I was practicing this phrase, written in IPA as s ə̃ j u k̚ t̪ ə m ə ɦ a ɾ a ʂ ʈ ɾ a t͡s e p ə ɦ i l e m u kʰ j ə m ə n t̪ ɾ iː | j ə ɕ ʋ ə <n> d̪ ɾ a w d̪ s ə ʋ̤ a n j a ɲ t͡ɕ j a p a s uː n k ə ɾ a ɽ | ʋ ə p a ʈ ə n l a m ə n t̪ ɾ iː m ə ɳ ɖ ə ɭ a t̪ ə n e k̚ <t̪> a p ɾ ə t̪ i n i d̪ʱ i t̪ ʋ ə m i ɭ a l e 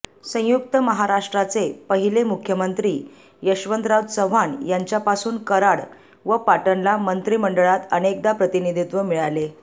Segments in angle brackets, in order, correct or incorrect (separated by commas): correct, incorrect